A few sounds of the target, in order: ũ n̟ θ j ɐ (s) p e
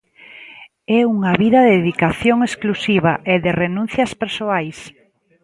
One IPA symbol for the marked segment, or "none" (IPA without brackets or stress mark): s